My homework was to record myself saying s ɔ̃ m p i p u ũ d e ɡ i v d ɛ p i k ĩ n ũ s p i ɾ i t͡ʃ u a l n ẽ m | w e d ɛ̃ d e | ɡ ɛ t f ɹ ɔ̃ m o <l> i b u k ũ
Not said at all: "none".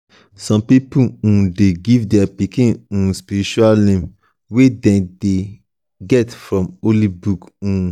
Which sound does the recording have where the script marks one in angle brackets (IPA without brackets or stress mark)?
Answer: l